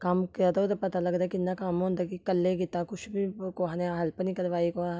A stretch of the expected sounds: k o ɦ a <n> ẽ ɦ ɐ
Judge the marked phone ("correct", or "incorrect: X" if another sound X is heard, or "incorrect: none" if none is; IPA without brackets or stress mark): correct